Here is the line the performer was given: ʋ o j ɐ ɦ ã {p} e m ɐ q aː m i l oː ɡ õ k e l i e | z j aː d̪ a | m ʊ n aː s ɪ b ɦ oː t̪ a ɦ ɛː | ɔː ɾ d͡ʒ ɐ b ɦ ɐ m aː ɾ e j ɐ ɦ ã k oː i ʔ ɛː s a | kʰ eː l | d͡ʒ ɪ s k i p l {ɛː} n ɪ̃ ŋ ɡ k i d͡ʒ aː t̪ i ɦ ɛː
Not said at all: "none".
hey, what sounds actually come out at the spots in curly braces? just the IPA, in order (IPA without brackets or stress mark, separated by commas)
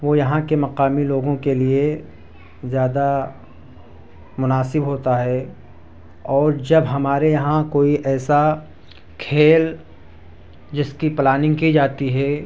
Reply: k, aː